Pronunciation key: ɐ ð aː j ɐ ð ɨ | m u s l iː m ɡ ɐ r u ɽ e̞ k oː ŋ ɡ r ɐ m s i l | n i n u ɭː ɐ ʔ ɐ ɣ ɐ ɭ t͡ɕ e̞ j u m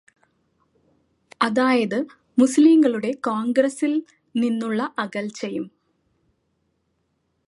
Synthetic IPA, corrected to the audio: ɐ ð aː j ɐ ð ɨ | m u s l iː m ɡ ɐ ɭ u ɽ e̞ k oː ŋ ɡ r ɐ s i l | n i nː u ɭː ɐ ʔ ɐ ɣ ɐ l t͡ɕ e̞ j u m